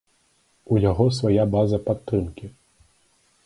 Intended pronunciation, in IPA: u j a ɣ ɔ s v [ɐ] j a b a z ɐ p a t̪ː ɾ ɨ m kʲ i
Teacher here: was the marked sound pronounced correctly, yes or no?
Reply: no